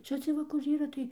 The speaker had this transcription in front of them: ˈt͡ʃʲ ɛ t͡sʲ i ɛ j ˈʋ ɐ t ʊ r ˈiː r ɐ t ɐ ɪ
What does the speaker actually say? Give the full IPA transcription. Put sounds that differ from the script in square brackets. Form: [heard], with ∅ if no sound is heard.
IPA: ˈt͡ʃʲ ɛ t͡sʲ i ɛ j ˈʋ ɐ [k] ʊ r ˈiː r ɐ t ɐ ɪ